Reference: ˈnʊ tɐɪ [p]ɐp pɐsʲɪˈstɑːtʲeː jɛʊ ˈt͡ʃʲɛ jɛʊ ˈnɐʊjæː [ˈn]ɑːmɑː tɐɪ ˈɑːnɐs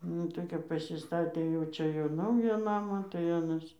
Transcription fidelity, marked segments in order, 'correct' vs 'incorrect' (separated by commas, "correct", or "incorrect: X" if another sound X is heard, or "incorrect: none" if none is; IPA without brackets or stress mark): incorrect: k, correct